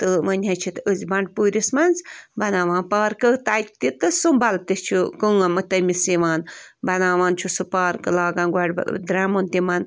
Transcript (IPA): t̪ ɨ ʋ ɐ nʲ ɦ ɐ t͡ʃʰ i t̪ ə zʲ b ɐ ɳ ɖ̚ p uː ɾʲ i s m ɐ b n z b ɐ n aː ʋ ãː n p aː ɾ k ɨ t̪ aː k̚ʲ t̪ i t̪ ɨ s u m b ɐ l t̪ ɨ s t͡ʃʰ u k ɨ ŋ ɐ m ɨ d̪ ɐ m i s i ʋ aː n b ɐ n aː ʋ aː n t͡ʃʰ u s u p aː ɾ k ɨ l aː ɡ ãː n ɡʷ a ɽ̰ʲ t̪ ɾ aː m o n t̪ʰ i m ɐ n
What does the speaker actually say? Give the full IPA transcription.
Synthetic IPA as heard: t̪ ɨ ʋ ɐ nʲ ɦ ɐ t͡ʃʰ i t̪ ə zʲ b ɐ ɳ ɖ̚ p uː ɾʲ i s m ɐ n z b ɐ n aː ʋ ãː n p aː ɾ k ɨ t̪ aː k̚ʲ t̪ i t̪ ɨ s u m b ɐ l t̪ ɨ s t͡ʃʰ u k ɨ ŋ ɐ m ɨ t̪ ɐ m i s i ʋ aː n b ɐ n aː ʋ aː n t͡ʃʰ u s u p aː ɾ k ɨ l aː ɡ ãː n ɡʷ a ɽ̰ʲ d̪ ɾ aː m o n t̪ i m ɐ n